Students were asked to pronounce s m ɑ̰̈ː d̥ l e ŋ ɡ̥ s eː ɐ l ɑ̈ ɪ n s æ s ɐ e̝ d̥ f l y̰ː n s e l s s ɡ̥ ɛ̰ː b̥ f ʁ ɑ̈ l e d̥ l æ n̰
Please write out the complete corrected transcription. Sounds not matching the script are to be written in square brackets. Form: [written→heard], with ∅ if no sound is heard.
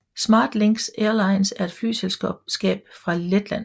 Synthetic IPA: s m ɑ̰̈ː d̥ l e ŋ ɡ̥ s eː ɐ l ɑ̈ ɪ n s æ [s→∅] ɐ e̝ d̥ f l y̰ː [n→∅] s e l s s ɡ̥ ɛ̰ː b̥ f ʁ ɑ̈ l e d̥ l æ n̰